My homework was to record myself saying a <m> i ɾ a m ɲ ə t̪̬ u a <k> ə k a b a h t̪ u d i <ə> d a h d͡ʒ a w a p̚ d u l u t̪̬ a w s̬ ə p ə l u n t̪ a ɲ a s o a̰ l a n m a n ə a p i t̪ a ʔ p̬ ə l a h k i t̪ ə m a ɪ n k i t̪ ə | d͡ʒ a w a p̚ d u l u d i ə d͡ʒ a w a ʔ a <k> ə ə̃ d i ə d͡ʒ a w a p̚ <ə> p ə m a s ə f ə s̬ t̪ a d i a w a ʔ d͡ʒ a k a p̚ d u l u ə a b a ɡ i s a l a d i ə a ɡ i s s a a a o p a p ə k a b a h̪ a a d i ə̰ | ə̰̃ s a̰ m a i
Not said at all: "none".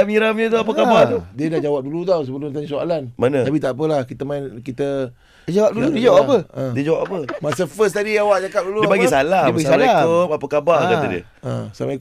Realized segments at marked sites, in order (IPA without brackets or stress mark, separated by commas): m, p, ə, p, a